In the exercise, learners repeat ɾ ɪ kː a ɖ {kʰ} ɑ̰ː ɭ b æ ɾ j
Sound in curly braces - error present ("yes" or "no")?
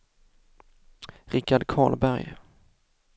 no